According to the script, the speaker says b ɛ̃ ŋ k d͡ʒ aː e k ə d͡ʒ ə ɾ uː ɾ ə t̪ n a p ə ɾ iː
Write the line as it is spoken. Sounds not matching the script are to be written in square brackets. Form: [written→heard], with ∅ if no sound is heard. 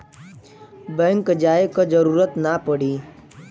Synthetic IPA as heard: b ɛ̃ ŋ k d͡ʒ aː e k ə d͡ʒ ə ɾ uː ɾ ə t̪ n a p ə [ɾ→ɽ] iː